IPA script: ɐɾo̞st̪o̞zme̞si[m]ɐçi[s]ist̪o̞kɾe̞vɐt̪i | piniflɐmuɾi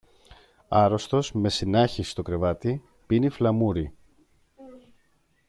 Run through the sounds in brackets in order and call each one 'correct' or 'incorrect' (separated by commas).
incorrect, correct